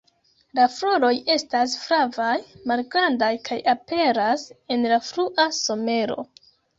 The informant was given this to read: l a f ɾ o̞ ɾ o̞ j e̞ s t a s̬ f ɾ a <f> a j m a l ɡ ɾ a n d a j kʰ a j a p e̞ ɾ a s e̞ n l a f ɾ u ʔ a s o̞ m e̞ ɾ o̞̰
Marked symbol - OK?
no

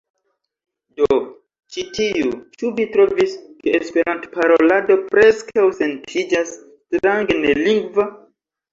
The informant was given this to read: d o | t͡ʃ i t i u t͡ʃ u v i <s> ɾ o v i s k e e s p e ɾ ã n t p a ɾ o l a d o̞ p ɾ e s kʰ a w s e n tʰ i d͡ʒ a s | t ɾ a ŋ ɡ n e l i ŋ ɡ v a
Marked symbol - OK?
no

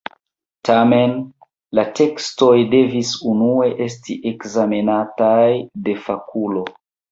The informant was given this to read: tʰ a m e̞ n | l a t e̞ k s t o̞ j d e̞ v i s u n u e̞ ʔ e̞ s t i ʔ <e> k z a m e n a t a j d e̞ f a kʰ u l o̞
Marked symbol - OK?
yes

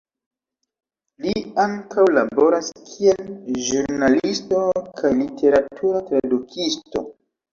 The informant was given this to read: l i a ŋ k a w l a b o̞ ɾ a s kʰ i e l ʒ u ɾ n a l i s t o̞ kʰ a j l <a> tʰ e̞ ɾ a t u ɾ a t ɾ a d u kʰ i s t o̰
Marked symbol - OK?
no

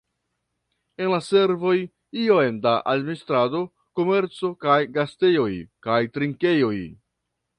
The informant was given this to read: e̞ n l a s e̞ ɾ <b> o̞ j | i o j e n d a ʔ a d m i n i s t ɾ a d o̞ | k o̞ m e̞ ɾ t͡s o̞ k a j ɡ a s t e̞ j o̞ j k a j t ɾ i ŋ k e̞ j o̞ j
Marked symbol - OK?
no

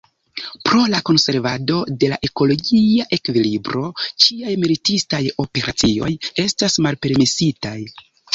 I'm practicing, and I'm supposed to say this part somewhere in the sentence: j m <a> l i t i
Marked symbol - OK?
no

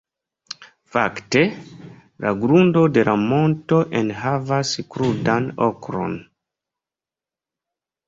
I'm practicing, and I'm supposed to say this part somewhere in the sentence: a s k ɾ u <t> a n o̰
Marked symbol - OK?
no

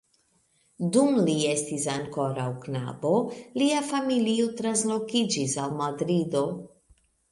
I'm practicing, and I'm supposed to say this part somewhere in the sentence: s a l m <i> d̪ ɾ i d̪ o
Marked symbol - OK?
no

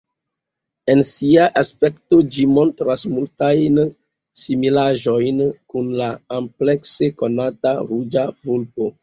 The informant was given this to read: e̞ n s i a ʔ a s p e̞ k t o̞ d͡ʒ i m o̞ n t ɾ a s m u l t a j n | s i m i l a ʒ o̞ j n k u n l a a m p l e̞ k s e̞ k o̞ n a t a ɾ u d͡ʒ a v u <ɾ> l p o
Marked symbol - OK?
no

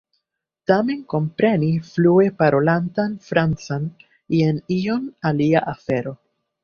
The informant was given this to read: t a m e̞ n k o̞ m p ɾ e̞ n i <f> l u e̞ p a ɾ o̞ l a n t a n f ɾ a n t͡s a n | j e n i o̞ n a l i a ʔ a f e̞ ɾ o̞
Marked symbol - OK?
yes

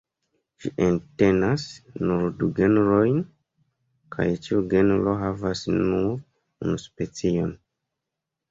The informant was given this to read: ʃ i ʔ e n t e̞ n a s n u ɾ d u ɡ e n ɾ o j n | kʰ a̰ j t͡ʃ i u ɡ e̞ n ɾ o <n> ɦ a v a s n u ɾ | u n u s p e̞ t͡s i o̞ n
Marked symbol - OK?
no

